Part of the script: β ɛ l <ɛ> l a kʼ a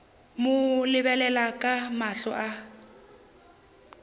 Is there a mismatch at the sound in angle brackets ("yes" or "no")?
no